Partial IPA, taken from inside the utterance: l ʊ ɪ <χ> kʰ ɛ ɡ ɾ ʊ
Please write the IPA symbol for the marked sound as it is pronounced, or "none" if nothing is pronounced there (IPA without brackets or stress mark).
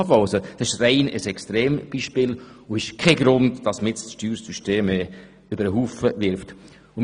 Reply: ʃ